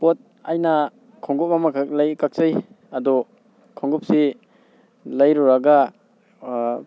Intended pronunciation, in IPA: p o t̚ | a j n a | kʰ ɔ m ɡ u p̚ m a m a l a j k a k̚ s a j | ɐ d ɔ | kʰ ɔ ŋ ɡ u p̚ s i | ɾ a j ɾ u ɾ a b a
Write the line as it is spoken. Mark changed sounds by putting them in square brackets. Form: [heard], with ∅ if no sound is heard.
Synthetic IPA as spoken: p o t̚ | a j n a | kʰ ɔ [ŋ] ɡ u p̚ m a m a l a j k a k̚ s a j | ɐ d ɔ | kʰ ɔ ŋ ɡ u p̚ s i | [l] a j ɾ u ɾ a [ɡ] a

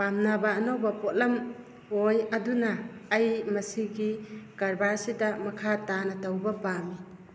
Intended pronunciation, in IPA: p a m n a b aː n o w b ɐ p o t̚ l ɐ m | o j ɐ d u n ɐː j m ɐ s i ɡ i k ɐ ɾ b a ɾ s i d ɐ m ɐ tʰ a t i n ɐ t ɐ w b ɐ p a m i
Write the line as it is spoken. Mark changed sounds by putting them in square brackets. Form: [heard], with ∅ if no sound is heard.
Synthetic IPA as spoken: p a m n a b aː n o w b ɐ p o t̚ l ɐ m | o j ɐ d u n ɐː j m ɐ s i ɡ i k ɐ ɾ b a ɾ s i d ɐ m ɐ [kʰ] a t [a] n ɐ t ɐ w b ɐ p a m i

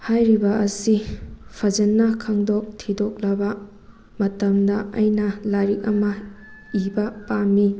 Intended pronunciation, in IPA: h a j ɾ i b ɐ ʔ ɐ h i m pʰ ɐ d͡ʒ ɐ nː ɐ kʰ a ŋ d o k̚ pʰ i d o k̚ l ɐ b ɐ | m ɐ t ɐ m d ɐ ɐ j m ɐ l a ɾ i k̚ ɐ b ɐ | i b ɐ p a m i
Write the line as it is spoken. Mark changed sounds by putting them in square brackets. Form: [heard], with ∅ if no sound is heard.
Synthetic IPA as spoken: h a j ɾ i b ɐ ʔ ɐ [s] i [∅] pʰ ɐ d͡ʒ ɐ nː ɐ kʰ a ŋ d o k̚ [tʰ] i d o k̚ l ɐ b ɐ | m ɐ t ɐ m d ɐ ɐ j [n] ɐ l a ɾ i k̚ ɐ [m] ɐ | i b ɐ p a m i

